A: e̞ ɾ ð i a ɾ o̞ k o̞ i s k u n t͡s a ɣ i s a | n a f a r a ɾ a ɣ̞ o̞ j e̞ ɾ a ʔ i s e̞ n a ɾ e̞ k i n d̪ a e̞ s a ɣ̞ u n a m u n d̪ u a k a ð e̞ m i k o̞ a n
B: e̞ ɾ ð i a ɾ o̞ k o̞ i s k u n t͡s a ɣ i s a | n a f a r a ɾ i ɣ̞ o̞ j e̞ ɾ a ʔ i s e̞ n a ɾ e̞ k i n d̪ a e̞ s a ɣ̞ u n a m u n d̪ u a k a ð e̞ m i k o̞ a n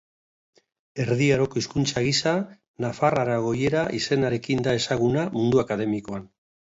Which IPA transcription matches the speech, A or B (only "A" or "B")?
A